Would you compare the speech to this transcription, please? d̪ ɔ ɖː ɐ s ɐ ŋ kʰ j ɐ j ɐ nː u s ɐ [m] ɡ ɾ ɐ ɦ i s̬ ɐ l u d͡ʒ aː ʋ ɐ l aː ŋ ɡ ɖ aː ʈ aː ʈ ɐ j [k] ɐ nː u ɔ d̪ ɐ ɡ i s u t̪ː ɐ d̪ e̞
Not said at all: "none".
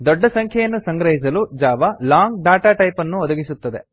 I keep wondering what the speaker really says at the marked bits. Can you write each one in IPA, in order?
ŋ, p

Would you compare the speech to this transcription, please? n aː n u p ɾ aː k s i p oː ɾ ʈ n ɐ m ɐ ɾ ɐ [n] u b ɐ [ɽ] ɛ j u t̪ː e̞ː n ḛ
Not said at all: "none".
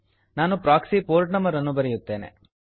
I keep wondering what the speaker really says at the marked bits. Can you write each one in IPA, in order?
nː, ɾ

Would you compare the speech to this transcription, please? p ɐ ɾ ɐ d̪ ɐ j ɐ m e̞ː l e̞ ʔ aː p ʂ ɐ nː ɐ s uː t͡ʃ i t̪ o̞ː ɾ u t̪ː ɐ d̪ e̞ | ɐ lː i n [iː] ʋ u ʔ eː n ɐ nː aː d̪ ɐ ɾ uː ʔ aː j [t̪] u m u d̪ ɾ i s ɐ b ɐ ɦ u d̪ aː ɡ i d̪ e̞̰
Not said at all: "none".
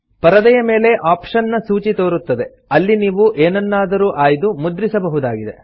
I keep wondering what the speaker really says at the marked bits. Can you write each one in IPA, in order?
iː, d̪

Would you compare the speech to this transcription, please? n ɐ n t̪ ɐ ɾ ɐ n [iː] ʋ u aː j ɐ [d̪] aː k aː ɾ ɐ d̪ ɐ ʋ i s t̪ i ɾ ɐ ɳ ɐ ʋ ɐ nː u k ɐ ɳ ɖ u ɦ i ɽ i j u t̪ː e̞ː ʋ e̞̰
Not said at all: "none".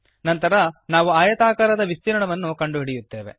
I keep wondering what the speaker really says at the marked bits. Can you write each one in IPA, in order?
aː, t̪

